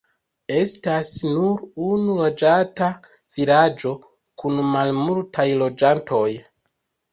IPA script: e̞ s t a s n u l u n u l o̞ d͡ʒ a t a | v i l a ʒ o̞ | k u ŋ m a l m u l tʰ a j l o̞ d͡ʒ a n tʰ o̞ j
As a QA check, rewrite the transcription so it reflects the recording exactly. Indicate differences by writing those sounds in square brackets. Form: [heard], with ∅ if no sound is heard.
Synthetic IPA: e̞ s t a s n u [ɾ] u n u l o̞ d͡ʒ a t a | v i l a [d͡ʒ] o̞ | k u [n] m a l m u l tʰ a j l o̞ d͡ʒ a n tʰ o̞ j